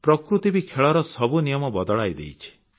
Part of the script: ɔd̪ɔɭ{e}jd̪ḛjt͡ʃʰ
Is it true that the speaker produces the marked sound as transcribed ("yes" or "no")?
no